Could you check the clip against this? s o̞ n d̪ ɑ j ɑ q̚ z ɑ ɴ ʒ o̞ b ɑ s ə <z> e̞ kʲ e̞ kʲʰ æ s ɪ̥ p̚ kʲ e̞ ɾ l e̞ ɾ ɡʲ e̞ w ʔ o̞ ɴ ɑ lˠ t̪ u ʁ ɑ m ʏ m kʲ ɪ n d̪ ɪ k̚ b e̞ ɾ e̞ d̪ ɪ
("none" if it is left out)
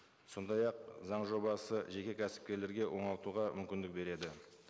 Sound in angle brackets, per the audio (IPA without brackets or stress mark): ʒ